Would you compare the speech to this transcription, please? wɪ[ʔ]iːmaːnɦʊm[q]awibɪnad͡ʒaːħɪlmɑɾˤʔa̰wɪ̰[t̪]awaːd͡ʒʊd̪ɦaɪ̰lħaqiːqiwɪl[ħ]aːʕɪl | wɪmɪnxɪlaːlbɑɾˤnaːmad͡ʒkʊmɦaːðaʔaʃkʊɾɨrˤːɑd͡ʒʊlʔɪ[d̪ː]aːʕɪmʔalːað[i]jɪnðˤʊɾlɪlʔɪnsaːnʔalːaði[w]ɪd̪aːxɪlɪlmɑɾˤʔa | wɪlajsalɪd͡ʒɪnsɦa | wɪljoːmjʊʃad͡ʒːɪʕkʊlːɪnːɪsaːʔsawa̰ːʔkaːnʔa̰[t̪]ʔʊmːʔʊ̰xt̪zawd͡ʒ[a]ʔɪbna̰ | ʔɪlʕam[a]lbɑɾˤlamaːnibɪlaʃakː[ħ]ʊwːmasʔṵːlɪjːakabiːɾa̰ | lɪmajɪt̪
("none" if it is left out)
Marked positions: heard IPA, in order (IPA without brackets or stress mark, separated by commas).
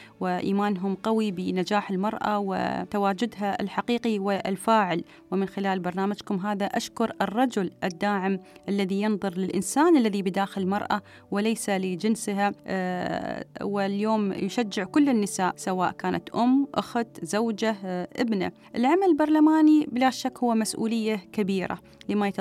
ʔ, q, t̪, f, d̪ː, i, b, t̪, a, a, h